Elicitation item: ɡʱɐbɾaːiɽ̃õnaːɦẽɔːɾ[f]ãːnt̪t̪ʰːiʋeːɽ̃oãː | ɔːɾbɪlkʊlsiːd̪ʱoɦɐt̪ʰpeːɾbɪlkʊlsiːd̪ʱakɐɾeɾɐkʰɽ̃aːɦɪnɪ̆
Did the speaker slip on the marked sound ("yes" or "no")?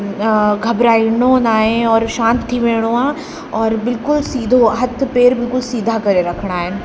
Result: yes